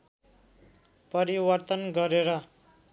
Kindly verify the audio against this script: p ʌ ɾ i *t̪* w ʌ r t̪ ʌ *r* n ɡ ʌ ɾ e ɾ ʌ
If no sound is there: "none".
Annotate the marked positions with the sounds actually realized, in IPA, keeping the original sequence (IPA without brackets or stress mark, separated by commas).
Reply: none, none